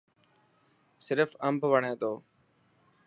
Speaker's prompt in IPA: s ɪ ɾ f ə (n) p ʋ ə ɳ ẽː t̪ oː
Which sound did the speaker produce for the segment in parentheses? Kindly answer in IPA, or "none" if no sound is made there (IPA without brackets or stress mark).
m